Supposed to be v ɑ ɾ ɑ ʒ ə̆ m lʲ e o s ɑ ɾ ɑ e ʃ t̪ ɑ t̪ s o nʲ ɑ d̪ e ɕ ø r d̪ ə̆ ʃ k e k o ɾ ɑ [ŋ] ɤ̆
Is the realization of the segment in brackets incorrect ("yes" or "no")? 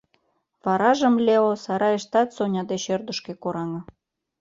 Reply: no